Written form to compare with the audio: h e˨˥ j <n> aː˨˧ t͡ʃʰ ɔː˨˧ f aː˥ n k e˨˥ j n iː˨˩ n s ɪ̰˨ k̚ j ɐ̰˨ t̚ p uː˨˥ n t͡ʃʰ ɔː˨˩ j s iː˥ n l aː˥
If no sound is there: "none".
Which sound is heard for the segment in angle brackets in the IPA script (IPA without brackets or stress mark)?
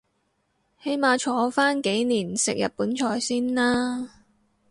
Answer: m